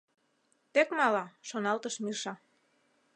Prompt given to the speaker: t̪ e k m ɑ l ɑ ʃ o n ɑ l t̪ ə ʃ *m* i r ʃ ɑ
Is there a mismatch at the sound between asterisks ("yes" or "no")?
no